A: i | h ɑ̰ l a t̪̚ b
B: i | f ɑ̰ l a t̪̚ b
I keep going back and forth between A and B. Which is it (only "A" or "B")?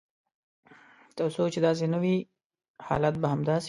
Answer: A